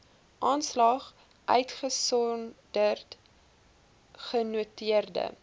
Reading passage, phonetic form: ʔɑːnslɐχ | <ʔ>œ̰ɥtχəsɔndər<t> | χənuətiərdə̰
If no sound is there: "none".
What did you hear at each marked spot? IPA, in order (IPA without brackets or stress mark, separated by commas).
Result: ʔ, t